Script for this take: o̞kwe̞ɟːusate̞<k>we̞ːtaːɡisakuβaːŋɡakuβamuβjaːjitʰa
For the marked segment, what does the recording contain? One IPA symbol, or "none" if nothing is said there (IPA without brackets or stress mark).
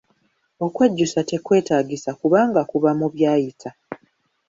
k